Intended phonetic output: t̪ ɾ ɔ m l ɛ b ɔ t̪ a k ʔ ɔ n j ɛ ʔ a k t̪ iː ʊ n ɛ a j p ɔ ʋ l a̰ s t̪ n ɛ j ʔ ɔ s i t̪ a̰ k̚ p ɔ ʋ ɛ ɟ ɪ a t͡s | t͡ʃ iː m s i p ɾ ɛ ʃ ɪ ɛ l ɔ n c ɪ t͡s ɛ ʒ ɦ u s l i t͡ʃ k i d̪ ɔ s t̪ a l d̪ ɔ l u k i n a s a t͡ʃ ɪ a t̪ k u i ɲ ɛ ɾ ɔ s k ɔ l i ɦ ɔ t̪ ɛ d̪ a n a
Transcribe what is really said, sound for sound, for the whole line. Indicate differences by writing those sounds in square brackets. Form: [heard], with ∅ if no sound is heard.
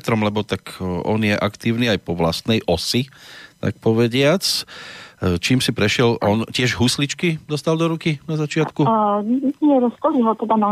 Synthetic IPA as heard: t̪ ɾ ɔ m l ɛ b ɔ t̪ a k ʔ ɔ n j ɛ ʔ a k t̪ iː ʊ n [i] a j p ɔ ʋ l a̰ s t̪ n ɛ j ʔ ɔ s i t̪ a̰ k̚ p ɔ ʋ ɛ ɟ ɪ a t͡s | t͡ʃ iː m s i p ɾ ɛ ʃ ɪ ɛ l ɔ n c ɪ [∅] ɛ ʒ ɦ u s l i t͡ʃ k i d̪ ɔ s t̪ a l d̪ ɔ [ɾ] u k i n a [z] a t͡ʃ ɪ a t̪ k u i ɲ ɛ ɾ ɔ s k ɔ l i ɦ ɔ t̪ ɛ d̪ a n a